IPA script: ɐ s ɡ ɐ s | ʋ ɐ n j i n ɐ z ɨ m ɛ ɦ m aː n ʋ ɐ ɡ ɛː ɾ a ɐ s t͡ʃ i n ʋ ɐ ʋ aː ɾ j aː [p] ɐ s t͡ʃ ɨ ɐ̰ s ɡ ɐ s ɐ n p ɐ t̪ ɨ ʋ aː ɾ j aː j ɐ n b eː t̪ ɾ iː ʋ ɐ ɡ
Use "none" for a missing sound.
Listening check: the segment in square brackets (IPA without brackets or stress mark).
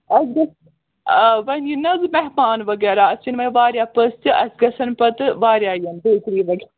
p